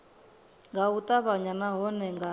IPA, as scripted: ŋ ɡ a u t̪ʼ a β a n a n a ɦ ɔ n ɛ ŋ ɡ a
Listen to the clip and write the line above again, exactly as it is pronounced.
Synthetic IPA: ŋ ɡ a u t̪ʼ a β a ɲ a n a ɦ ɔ n ɛ ŋ ɡ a

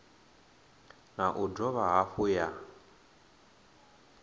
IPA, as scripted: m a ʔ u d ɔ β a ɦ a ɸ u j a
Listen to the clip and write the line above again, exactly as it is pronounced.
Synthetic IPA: n a ʔ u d ɔ β a ɦ a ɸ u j a

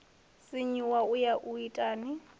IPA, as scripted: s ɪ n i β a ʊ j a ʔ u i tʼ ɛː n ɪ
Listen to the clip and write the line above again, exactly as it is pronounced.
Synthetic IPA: s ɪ ɲ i w a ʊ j a ʔ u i tʼ aː n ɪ

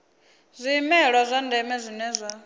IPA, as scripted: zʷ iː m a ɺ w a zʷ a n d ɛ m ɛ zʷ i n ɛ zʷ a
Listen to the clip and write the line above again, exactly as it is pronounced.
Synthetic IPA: zʷ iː m ɛ ɺ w a zʷ a n d ɛ m ɛ zʷ i n ɛ zʷ a

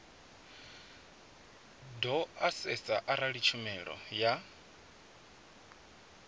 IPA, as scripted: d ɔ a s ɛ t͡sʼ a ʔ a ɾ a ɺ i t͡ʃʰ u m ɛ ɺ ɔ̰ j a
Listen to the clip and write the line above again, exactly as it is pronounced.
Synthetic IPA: d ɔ a s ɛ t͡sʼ a ʔ a ɾ a ɺ i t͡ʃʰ u m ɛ ɺ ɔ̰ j a

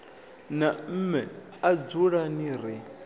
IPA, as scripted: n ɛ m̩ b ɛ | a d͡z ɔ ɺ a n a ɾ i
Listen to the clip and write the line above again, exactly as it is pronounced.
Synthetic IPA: n a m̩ m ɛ | a d͡z u ɺ a n i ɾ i

